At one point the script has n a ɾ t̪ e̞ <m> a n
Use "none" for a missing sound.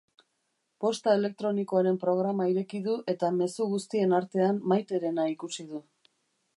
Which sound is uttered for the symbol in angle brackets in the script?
none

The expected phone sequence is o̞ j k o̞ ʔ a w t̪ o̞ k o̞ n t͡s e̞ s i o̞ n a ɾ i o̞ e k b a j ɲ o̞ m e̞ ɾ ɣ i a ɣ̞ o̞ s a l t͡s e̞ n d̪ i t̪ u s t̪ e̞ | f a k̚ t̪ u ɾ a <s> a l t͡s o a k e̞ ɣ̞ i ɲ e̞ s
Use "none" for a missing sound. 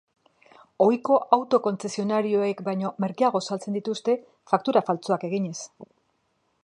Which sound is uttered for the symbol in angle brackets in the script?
f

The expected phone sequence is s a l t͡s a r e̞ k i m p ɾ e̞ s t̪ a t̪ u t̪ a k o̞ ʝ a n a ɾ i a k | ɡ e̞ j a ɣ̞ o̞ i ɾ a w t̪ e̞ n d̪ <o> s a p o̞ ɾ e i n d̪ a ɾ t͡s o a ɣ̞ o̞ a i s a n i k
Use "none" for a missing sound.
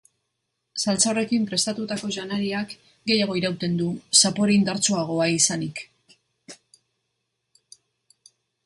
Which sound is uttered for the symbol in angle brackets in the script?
u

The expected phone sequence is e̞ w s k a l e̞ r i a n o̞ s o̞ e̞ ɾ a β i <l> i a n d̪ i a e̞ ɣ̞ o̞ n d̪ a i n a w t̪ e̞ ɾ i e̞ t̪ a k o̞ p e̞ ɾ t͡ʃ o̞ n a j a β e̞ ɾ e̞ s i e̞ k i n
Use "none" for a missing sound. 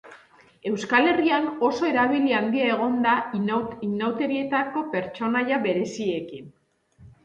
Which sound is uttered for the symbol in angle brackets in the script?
l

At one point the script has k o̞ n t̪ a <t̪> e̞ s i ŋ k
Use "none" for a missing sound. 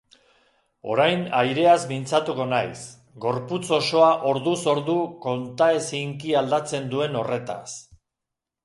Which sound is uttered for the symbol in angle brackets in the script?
none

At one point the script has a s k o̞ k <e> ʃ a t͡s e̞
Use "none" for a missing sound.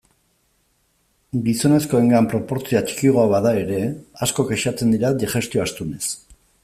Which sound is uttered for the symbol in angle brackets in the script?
e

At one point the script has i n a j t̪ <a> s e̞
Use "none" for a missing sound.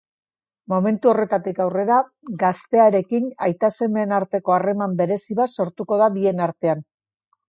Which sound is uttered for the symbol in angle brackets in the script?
a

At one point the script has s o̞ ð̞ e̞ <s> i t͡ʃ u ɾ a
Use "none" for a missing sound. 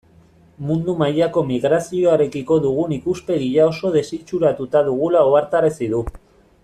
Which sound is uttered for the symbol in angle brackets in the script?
s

